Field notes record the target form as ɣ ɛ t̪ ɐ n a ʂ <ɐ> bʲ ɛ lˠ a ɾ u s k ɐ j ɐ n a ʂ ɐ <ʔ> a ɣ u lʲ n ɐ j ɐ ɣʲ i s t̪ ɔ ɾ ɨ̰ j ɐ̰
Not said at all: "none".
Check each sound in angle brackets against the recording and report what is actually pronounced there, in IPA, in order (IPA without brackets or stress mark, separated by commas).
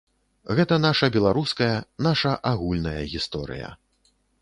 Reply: ɐ, ʔ